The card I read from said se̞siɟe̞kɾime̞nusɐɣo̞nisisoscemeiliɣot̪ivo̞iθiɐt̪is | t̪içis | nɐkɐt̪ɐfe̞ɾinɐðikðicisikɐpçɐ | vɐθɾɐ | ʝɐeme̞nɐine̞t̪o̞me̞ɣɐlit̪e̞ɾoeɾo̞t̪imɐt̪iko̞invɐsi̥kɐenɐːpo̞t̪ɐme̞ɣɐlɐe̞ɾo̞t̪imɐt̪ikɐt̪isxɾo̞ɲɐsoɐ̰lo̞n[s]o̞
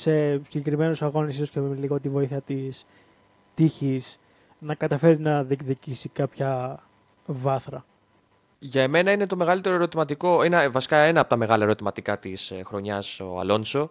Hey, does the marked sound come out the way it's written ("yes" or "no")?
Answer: yes